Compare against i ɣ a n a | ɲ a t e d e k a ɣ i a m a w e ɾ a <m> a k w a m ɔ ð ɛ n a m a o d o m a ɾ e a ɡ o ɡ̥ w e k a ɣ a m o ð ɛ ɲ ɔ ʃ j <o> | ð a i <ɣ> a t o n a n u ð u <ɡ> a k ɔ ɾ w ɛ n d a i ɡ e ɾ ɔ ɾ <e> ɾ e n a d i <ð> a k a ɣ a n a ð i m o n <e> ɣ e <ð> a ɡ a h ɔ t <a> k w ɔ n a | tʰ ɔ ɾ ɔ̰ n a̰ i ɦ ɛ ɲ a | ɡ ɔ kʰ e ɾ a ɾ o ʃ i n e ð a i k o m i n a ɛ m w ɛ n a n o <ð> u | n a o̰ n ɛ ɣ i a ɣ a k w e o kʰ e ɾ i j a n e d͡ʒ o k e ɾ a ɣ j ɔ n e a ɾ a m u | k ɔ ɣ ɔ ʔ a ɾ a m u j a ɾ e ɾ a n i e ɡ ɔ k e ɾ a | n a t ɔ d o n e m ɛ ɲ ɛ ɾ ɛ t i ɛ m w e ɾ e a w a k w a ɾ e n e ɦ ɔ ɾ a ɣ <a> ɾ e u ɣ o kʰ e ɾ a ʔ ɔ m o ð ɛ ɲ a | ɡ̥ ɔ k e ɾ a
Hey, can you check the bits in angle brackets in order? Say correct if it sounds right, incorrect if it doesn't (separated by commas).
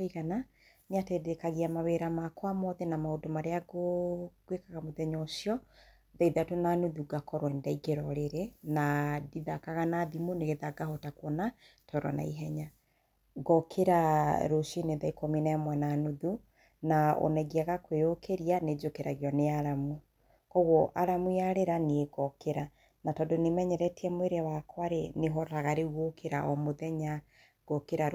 correct, incorrect, incorrect, correct, correct, correct, correct, correct, correct, correct, correct